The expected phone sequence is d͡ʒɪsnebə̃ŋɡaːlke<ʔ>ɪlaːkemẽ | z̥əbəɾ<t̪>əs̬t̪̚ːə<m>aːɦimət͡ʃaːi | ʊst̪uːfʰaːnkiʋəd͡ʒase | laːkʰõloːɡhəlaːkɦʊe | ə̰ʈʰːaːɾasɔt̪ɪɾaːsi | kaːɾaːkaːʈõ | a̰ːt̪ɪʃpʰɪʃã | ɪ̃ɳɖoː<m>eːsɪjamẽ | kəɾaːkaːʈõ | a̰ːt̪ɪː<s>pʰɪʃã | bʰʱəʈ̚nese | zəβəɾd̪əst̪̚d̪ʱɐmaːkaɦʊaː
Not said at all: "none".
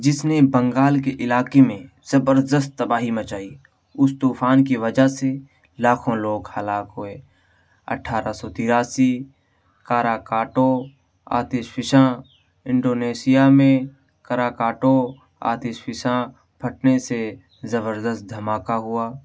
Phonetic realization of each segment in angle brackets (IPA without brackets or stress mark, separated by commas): ʔ, d̪, b, n, ʃ